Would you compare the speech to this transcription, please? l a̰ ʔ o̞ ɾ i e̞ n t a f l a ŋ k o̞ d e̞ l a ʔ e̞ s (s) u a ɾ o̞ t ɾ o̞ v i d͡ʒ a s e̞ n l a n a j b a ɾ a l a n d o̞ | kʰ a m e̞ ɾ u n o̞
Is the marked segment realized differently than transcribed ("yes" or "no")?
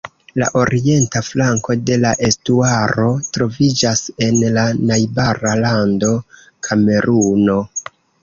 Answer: yes